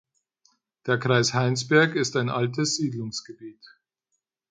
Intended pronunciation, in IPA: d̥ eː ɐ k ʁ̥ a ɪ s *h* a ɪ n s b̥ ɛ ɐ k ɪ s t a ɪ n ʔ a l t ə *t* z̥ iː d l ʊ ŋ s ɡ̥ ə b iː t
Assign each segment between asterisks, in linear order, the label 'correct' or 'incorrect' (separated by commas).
correct, incorrect